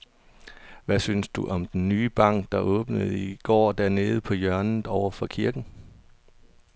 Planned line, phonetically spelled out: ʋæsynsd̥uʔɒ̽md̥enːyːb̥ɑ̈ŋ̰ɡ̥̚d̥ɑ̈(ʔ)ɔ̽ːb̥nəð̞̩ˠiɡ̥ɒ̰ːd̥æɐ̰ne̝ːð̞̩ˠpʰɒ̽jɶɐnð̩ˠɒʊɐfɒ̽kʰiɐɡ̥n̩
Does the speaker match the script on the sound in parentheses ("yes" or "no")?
yes